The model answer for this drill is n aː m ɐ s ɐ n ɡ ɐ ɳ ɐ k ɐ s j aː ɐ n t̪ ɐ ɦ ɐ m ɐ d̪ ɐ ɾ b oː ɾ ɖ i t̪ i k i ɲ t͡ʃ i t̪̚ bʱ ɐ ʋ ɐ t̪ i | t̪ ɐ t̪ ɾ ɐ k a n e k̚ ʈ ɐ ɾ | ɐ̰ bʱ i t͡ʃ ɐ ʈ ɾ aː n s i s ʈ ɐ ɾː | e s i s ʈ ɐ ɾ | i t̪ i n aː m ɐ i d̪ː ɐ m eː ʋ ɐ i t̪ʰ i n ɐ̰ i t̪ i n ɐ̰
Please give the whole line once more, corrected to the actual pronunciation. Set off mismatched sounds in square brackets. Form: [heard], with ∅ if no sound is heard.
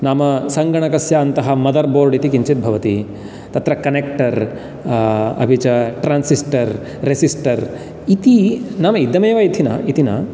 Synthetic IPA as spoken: n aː m ɐ s ɐ [ŋ] ɡ ɐ ɳ ɐ k ɐ s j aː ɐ n t̪ ɐ ɦ ɐ m ɐ d̪ ɐ ɾ b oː ɾ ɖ i t̪ i k i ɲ t͡ʃ i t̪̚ bʱ ɐ ʋ ɐ t̪ i | t̪ ɐ t̪ ɾ ɐ k [ɐ] n e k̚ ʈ ɐ ɾ | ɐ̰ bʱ i t͡ʃ ɐ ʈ ɾ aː n s i s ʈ ɐ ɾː | e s i s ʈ ɐ ɾ | i t̪ i n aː m ɐ i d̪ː ɐ m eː ʋ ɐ i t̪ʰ i n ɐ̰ i t̪ i n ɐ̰